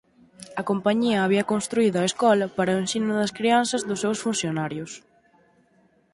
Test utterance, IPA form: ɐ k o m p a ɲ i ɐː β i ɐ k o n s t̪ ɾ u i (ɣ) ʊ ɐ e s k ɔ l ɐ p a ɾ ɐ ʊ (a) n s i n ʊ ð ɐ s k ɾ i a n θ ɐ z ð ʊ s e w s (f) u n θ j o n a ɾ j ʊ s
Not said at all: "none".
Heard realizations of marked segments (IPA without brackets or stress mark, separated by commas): ð, e, f